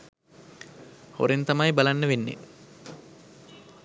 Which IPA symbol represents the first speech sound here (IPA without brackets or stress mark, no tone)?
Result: h